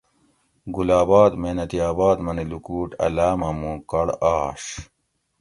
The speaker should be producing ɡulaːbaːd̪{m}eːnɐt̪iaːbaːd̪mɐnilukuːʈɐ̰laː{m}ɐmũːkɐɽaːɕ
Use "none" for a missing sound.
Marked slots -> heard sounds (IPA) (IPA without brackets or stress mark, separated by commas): m, m